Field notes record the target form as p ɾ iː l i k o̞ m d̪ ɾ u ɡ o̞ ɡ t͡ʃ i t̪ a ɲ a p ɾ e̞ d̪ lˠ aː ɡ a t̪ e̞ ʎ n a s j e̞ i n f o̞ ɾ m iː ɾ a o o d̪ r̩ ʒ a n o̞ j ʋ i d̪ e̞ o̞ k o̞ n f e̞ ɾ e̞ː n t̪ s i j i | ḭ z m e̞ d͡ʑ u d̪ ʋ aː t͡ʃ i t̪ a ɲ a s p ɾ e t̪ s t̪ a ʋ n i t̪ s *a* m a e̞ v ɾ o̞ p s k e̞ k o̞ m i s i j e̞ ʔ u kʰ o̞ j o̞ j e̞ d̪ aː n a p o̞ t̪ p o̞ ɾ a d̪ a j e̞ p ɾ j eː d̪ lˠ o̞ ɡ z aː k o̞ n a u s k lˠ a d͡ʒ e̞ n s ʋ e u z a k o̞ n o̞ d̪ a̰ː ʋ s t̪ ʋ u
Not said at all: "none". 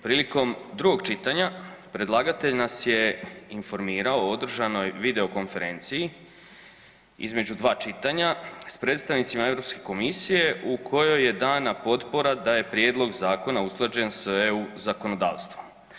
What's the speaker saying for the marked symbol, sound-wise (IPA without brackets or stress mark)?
i